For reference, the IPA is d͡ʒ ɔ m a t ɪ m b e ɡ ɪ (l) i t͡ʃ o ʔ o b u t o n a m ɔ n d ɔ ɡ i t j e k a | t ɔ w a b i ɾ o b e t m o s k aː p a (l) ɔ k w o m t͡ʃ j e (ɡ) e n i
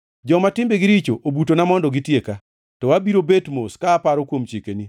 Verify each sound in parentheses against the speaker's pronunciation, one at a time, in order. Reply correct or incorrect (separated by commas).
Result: incorrect, incorrect, incorrect